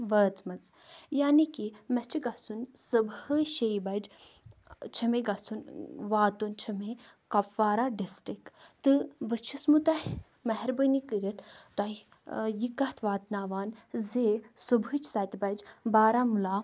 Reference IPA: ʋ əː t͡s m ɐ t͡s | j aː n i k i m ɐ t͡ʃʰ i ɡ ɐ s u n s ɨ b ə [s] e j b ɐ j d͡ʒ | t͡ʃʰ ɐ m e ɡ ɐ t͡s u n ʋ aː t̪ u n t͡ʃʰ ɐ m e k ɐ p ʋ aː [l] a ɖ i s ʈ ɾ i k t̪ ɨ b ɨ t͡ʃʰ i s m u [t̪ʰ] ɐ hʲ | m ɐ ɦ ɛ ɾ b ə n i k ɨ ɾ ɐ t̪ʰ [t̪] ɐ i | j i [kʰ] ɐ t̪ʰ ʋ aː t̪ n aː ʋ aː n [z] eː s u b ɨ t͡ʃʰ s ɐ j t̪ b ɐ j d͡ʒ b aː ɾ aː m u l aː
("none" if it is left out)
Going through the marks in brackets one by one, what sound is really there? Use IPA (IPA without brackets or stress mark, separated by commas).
ʃ, ɾ, t̪, t̪, k, z